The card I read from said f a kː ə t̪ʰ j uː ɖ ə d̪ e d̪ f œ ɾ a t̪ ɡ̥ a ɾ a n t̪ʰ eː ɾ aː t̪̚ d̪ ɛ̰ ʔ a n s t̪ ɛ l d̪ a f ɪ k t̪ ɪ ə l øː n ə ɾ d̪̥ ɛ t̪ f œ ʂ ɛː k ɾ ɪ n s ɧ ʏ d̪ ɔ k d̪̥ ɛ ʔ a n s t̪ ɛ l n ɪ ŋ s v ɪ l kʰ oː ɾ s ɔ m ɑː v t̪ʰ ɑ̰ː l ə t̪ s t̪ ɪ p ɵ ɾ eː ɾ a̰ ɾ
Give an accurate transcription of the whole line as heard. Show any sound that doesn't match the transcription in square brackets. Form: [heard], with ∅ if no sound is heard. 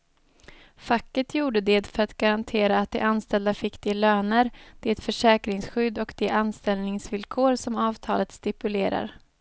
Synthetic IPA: f a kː ə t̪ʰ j uː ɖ ə d̪ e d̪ f œ ɾ a t̪ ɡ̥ a ɾ a n t̪ʰ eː ɾ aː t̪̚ d̪ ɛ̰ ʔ a n s t̪ ɛ l d̪ a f ɪ k t̪ ɪ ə l øː n ə ɾ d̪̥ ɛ t̪ f œ ʂ ɛː k ɾ ɪ [ŋ] s ɧ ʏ d̪ ɔ k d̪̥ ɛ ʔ a n s t̪ ɛ l n ɪ ŋ s v ɪ l kʰ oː ɾ s ɔ m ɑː v t̪ʰ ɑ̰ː l ə t̪ s t̪ ɪ p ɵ [l] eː ɾ a̰ ɾ